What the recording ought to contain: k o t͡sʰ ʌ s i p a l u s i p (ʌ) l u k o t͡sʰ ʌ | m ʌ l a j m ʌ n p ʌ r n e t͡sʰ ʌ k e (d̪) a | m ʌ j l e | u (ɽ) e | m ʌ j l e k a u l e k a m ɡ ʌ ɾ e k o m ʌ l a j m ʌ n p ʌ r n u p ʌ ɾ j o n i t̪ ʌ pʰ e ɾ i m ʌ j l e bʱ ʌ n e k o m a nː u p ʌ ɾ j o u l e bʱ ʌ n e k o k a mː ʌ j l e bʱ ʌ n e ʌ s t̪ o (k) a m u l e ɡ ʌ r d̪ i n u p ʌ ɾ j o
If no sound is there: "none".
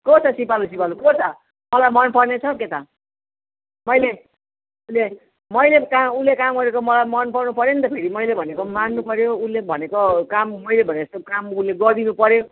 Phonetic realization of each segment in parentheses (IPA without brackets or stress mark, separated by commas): a, t̪, l, k